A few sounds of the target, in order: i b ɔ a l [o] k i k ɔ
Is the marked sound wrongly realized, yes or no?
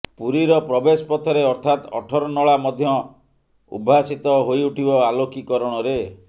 no